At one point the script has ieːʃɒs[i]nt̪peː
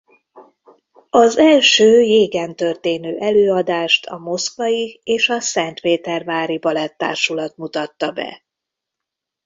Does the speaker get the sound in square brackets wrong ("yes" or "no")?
yes